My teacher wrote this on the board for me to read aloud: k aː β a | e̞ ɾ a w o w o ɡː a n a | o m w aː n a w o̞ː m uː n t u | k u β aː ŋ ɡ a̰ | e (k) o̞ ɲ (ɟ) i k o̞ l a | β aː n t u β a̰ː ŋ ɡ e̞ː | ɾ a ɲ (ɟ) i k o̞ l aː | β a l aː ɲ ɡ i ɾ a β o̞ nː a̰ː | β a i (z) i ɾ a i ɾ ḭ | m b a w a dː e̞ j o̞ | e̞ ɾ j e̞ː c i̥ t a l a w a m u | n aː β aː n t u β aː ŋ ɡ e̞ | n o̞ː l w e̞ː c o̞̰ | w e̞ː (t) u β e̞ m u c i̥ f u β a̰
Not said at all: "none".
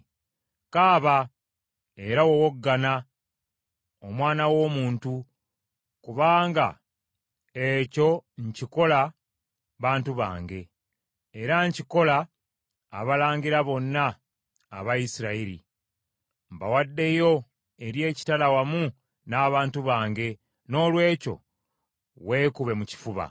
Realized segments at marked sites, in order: c, c, c, s, k

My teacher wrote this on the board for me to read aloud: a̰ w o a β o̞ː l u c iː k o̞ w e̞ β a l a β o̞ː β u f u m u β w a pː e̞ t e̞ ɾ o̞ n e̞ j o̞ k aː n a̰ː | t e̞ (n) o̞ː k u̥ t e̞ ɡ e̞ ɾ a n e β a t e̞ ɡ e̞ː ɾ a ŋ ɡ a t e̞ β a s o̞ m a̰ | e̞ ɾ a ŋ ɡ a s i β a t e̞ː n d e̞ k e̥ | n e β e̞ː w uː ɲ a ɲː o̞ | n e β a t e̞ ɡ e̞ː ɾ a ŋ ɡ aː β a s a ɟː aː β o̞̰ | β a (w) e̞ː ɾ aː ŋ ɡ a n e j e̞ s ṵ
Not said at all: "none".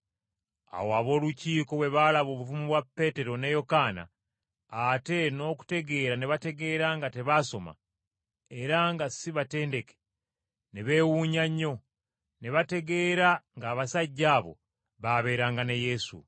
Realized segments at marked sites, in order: n, β

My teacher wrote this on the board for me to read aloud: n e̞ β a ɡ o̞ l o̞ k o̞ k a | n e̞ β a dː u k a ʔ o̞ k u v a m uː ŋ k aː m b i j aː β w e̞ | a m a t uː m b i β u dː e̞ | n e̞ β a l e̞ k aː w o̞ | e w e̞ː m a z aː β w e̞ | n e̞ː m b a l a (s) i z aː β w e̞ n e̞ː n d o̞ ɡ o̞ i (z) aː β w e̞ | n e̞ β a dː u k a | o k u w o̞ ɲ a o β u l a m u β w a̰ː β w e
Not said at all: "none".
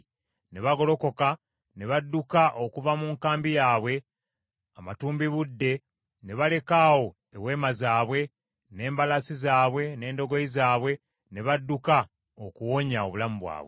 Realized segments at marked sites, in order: s, z

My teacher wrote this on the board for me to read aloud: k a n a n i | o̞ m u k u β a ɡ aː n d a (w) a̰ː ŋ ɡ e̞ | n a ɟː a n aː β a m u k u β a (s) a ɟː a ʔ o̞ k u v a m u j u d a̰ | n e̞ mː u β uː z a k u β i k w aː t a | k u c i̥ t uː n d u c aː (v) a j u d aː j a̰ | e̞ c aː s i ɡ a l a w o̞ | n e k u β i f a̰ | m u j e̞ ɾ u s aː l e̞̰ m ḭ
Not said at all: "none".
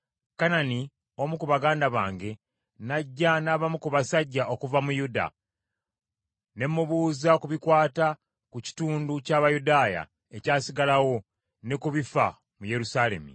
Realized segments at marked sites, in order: β, s, β

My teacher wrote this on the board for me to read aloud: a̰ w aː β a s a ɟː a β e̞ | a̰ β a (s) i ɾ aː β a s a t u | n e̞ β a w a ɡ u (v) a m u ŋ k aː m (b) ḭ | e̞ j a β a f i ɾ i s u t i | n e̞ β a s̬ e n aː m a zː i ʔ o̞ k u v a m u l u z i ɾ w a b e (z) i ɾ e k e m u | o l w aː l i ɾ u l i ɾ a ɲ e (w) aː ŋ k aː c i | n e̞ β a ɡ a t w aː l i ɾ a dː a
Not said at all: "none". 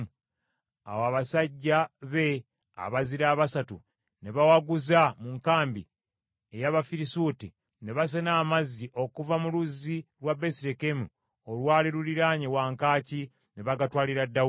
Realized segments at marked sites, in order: z, z, b, s, w

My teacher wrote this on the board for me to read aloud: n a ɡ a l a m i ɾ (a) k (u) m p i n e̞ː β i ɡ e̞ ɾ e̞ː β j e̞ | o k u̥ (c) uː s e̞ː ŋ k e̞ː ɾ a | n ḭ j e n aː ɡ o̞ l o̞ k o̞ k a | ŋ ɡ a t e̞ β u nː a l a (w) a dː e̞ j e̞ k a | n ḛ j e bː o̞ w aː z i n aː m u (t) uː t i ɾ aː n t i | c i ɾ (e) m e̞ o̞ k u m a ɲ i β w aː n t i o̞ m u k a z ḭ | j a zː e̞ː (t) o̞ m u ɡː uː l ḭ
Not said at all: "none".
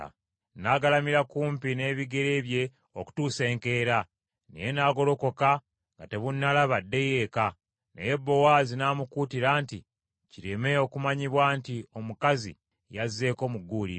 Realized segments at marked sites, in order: a, uː, t, β, k, e, k

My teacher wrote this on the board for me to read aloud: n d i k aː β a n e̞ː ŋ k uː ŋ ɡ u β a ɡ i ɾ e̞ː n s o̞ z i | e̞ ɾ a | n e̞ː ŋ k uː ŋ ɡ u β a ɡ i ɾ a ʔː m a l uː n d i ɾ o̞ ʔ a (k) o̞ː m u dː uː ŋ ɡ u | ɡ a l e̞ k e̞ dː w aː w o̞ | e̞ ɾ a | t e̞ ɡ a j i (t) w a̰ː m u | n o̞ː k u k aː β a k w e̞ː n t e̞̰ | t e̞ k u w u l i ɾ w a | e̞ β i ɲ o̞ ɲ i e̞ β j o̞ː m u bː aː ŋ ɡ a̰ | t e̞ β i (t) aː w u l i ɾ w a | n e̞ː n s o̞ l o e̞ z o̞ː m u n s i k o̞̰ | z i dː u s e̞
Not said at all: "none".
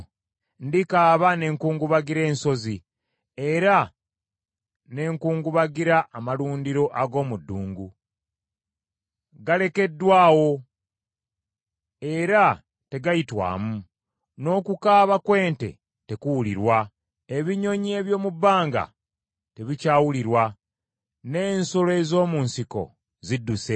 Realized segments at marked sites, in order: ɡ, t, c

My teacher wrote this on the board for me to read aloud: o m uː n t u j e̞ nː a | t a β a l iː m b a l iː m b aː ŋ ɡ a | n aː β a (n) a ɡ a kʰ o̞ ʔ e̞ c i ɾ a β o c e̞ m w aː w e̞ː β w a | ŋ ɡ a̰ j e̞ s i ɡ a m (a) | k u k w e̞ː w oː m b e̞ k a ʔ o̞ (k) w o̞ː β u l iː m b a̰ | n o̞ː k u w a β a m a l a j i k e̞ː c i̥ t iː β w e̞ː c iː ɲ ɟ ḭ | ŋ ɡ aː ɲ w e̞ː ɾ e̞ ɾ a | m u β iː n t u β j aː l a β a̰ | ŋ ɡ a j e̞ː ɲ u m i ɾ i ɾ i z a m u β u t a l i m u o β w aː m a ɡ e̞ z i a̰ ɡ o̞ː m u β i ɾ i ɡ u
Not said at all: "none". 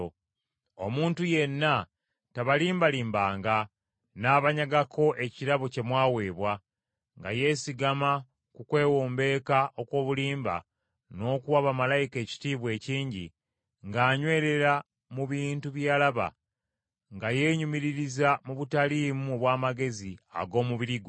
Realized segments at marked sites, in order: ɲ, a, k

